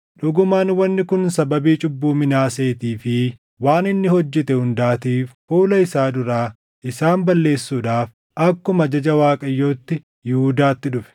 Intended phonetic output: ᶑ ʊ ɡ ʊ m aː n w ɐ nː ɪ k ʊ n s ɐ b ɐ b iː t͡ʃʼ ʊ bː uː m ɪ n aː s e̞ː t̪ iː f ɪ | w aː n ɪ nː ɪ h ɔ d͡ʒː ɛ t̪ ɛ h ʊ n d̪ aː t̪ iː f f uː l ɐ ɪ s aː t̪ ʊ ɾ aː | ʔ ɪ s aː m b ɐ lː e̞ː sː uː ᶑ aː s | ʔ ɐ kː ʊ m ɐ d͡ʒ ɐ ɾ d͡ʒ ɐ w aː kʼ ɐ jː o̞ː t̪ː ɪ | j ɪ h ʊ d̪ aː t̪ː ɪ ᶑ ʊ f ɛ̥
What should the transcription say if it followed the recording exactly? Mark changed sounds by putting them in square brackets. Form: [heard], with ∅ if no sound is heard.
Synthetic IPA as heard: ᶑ ʊ ɡ ʊ m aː n w ɐ nː ɪ k ʊ n s ɐ b ɐ b iː t͡ʃʼ ʊ bː uː m ɪ n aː s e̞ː t̪ iː f ɪ | w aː n ɪ nː ɪ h ɔ d͡ʒː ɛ t̪ ɛ h ʊ n d̪ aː t̪ iː f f uː l ɐ ɪ s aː [d̪] ʊ ɾ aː | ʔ ɪ s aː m b ɐ lː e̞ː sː uː ᶑ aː [f] | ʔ ɐ kː ʊ m ɐ d͡ʒ ɐ [∅] d͡ʒ ɐ w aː kʼ ɐ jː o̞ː t̪ː ɪ | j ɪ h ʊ d̪ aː t̪ː ɪ ᶑ ʊ f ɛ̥